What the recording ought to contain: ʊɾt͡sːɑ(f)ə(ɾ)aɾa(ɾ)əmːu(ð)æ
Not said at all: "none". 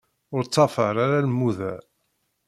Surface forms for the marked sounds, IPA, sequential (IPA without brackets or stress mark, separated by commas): f, ɾ, l, ð